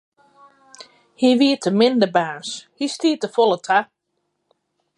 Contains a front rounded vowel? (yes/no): no